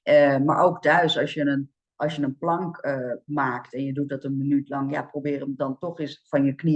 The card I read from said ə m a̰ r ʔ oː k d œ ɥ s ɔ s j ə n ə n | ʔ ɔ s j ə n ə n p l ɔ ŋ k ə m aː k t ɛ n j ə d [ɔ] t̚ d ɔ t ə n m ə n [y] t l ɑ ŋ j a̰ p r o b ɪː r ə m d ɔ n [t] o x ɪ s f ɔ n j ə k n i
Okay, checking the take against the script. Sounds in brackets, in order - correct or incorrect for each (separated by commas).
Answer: incorrect, correct, correct